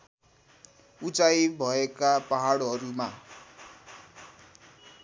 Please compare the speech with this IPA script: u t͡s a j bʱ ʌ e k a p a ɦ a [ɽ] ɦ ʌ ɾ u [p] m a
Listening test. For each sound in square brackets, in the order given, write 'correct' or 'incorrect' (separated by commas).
correct, incorrect